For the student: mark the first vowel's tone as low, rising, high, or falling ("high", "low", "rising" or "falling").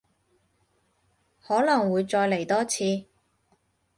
rising